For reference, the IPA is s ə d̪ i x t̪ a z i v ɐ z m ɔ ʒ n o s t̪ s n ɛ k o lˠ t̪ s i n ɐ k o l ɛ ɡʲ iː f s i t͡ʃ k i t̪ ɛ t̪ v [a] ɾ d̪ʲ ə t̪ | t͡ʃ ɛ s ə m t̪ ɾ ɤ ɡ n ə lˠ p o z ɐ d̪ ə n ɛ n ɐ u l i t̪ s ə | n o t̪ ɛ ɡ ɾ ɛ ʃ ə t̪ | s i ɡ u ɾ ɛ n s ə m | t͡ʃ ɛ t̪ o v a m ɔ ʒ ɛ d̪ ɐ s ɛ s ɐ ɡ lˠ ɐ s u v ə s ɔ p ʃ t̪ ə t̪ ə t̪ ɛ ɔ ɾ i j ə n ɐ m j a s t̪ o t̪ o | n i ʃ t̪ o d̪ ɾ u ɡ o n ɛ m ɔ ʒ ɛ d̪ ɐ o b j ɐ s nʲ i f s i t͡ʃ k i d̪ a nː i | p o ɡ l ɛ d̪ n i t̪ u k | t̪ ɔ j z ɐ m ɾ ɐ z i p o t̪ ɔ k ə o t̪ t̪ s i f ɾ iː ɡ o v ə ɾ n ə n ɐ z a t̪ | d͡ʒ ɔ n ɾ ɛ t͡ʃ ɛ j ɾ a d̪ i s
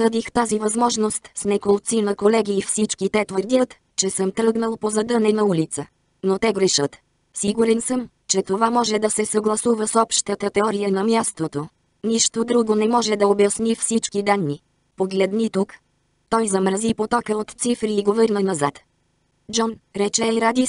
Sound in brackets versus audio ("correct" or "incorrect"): incorrect